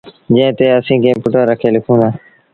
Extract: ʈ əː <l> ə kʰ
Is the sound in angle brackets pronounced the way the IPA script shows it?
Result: no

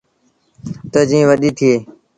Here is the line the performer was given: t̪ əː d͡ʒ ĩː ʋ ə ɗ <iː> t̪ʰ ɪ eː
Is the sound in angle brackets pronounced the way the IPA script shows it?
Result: yes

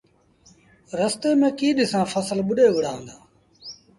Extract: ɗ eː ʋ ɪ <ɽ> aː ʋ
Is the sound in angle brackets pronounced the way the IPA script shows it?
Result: yes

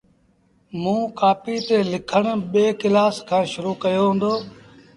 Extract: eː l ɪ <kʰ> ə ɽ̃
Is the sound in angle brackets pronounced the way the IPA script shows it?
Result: yes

